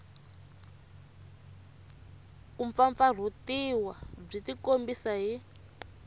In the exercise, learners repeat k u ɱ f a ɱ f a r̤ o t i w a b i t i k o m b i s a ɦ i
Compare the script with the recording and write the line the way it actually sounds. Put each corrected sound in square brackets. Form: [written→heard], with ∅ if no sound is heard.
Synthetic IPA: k u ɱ f a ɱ f a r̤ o t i w a [b→b͡ʐ] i t i k o m b i s a ɦ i

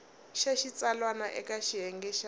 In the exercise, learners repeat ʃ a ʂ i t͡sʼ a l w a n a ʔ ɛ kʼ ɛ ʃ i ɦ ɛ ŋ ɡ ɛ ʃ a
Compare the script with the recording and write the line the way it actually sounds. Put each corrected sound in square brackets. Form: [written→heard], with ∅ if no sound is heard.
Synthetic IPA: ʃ a [ʂ→ʃ] i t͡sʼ a l w a n a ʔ ɛ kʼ [ɛ→a] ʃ i ɦ ɛ ŋ ɡ ɛ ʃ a

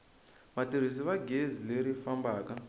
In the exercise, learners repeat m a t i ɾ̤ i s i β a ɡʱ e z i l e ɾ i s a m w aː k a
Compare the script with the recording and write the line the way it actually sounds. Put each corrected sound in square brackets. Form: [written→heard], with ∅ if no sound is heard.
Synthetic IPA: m a t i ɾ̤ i s i β a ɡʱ e z i l e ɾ i [s→f] a m [w→b] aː k a

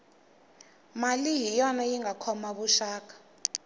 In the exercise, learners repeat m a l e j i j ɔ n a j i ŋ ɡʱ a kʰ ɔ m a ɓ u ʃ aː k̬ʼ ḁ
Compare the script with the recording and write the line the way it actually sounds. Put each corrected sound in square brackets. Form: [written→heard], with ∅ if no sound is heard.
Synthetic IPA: m a l [e→i] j i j ɔ n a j i ŋ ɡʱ a kʰ ɔ m a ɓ u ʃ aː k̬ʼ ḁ

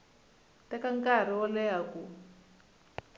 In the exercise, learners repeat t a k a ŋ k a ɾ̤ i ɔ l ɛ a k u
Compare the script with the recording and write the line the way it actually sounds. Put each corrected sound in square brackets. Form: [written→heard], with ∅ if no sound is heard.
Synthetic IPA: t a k a ŋ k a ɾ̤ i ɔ l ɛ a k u

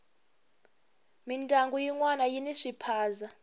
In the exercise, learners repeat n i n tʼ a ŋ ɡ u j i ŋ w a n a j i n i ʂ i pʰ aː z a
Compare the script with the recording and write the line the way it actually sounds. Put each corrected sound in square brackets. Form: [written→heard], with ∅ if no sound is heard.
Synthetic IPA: [n→m] i n tʼ a ŋ ɡ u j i ŋ w a n a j i n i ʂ i pʰ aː z a

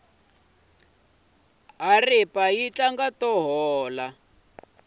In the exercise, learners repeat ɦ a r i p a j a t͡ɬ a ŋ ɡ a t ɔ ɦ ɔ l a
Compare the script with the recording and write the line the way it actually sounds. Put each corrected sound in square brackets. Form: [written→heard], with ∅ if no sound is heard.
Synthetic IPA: ɦ a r i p a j [a→i] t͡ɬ a ŋ ɡ a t ɔ ɦ [ɔ→ɔː] l a

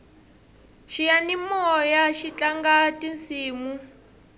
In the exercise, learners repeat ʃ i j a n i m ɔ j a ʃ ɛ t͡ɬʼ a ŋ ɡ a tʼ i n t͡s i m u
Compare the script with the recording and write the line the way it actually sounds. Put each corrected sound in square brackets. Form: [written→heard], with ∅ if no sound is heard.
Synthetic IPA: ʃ i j a n i m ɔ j a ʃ [ɛ→i] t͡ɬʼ a ŋ ɡ a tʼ i n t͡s [i→iː] m u

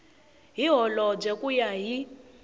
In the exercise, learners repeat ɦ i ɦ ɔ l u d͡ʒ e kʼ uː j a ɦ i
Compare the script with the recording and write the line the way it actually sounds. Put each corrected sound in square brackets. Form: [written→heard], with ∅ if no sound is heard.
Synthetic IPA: ɦ i ɦ ɔ l [u→ɔ] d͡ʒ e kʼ [uː→u] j a ɦ i

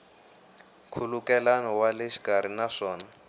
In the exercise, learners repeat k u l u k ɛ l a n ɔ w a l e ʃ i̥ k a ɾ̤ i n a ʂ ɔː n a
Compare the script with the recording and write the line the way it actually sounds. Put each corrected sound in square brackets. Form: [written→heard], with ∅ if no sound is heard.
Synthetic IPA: [k→kʰ] u l u k ɛ l a n ɔ w a l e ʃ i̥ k a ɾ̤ i n a ʂ ɔː n a

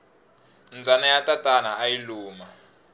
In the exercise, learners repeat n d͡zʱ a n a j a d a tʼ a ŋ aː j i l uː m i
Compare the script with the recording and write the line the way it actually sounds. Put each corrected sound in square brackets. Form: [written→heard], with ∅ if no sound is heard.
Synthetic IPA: n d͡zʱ a n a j a [d→t] a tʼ a [ŋ→n] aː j i l uː m [i→a]

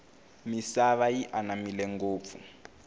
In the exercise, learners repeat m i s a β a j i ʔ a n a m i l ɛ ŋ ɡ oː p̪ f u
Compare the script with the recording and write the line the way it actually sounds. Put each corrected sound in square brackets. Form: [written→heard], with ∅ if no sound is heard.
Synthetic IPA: m i s a β a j i ʔ a n a m i l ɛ ŋ ɡ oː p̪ f u

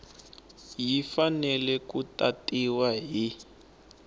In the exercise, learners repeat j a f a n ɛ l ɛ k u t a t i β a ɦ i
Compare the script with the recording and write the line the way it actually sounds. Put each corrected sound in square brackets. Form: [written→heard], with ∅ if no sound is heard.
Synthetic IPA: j [a→i] f a n ɛ l ɛ k u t a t i [β→w] a ɦ i

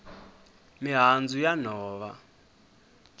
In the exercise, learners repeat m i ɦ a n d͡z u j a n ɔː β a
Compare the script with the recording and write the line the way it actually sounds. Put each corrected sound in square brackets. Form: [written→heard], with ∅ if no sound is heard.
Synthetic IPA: m i ɦ a n d͡z u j a n ɔː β a

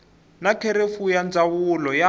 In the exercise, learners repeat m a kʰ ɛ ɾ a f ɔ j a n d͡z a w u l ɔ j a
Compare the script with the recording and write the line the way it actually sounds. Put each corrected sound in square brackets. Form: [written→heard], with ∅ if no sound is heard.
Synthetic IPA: [m→n] a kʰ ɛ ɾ [a→e] f [ɔ→u] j a n d͡z a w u l ɔ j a

